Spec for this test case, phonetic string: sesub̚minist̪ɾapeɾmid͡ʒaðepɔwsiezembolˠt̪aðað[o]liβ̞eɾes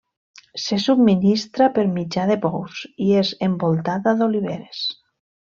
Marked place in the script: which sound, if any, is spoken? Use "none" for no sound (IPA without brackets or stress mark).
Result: o